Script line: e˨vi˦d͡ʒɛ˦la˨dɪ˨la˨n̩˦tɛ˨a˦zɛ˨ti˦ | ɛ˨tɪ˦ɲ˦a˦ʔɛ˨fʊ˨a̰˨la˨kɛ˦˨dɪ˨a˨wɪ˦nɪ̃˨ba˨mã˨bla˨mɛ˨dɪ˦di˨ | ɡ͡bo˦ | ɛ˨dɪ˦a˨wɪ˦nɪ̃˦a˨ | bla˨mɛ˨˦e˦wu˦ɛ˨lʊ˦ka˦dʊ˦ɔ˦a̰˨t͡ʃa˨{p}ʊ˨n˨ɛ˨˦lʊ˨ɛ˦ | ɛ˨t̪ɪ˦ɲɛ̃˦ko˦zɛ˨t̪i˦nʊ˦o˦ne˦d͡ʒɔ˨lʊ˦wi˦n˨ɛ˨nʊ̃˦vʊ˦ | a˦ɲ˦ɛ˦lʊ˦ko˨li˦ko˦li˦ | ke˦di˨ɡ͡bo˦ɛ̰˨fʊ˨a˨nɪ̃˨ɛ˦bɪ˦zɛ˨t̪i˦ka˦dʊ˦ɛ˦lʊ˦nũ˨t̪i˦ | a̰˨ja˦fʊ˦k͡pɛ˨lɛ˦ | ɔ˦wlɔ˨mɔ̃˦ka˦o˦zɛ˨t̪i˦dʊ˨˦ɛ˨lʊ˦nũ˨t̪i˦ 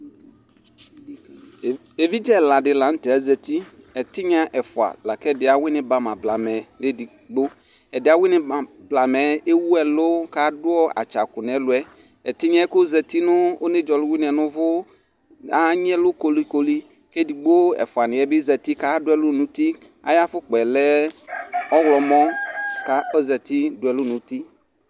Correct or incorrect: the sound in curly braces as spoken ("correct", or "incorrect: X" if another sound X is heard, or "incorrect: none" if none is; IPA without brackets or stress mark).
incorrect: k